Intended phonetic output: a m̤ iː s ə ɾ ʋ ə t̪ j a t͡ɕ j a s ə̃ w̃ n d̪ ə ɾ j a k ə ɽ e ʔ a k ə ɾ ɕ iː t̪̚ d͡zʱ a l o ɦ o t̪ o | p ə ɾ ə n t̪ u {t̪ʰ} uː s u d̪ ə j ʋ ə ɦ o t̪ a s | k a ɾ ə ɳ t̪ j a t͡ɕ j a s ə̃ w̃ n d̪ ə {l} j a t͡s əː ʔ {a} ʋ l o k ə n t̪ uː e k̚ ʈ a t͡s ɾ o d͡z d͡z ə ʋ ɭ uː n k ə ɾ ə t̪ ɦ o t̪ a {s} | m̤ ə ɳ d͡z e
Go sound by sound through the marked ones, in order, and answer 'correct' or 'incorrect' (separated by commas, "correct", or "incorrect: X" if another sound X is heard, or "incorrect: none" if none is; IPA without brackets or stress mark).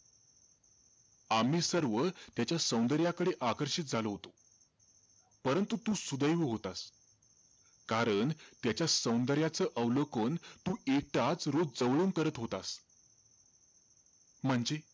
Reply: incorrect: t̪, incorrect: ɾ, incorrect: ə, correct